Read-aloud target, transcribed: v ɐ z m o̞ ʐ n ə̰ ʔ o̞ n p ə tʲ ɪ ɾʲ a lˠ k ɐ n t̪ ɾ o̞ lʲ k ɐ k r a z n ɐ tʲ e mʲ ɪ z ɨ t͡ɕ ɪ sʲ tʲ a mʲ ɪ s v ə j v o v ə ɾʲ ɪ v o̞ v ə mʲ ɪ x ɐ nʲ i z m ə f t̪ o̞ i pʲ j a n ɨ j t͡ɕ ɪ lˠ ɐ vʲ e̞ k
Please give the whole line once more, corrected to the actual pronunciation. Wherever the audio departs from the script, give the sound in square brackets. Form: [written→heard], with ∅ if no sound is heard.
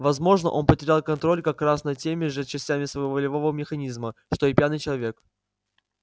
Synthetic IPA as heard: v ɐ z m o̞ ʐ n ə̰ ʔ o̞ n p ə tʲ ɪ ɾʲ a lˠ k ɐ n t̪ ɾ o̞ lʲ k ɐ k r a [z→s] n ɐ tʲ e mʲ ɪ [z→ʐ] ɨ t͡ɕ ɪ sʲ tʲ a mʲ ɪ s v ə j v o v ə [ɾʲ→lʲ] ɪ v o̞ v ə mʲ ɪ x ɐ nʲ i z m ə [f→ʂ] t̪ o̞ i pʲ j a n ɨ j t͡ɕ ɪ lˠ ɐ vʲ e̞ k